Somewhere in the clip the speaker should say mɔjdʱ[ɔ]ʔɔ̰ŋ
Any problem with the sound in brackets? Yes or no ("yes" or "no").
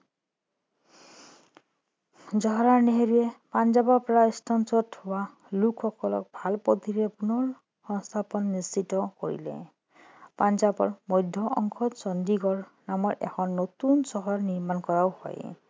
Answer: no